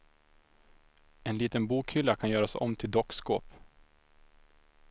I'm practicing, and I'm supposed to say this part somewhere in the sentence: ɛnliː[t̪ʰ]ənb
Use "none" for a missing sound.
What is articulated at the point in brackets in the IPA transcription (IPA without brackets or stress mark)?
t̪